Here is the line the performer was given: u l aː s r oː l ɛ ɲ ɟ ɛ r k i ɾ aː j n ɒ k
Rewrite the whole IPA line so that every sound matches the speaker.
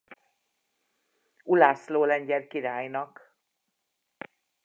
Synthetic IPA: u l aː s l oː l ɛ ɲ ɟ ɛ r k i ɾ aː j n ɒ k